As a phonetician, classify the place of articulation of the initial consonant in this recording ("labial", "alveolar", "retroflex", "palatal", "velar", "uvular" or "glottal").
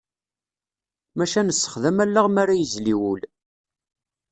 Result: labial